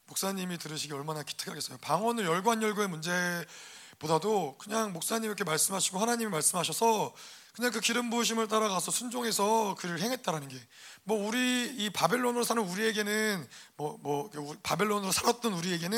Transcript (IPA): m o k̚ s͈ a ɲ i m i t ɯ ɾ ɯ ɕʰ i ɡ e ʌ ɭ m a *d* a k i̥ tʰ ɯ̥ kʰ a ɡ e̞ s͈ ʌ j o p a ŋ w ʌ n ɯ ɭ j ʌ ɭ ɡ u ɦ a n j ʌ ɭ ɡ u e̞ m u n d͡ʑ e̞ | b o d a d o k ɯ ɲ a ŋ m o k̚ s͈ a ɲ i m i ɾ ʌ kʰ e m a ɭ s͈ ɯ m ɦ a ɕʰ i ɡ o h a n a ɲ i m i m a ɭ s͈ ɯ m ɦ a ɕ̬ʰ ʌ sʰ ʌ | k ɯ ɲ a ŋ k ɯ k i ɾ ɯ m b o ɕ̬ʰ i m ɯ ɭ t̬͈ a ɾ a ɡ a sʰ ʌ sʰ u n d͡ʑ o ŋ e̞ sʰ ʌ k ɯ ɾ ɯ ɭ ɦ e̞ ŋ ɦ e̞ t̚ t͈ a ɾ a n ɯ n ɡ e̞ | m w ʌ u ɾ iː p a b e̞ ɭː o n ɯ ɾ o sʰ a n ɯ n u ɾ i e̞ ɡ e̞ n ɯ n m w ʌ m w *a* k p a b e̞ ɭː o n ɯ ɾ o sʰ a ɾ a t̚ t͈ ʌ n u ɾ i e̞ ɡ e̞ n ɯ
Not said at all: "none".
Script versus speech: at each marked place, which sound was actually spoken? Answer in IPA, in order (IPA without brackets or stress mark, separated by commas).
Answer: n, ʌ